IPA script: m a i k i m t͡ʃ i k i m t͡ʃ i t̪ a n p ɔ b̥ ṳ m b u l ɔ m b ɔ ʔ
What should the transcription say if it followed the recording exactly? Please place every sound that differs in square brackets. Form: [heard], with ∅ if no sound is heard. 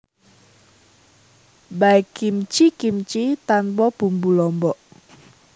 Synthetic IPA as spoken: [b] a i k i m t͡ʃ i k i m t͡ʃ i t̪ a n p ɔ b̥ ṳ m b u l ɔ m b ɔ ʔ